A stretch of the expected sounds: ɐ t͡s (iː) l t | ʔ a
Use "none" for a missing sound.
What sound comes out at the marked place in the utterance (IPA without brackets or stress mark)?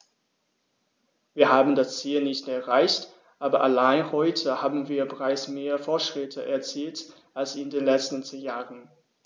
iː